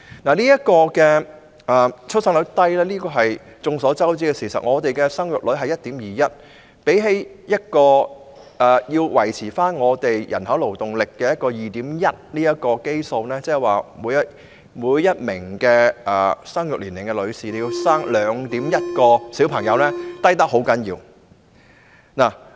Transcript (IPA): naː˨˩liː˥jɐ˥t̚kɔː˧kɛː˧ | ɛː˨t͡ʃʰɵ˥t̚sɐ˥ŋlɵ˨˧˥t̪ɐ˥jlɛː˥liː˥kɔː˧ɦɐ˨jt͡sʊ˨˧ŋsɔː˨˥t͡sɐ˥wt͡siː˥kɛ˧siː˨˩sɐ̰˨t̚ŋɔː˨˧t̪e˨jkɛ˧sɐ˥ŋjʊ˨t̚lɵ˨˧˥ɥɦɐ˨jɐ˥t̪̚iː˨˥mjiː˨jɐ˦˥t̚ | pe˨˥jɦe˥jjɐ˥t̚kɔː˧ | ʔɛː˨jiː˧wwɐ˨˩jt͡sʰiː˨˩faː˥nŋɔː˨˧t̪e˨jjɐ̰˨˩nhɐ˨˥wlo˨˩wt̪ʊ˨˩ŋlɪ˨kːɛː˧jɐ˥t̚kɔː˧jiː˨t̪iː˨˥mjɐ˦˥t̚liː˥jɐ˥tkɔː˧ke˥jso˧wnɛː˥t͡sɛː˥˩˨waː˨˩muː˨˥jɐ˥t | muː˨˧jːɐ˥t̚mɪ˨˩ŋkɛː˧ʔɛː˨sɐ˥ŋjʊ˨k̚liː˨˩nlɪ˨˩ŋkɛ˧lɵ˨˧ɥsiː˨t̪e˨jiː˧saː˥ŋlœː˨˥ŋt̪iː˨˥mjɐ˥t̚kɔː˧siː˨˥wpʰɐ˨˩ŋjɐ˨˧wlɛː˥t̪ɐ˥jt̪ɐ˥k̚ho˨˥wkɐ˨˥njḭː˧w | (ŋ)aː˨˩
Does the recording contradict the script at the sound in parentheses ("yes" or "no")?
yes